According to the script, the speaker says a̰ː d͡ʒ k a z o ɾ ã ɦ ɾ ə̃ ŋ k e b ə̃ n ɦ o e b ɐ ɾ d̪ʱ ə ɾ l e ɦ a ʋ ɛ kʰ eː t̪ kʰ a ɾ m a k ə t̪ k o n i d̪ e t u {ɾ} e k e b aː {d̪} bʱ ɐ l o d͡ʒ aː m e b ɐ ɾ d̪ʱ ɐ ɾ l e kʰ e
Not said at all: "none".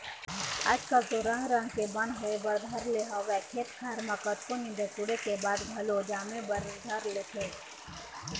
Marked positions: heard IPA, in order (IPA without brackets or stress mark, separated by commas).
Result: ɽ, d̪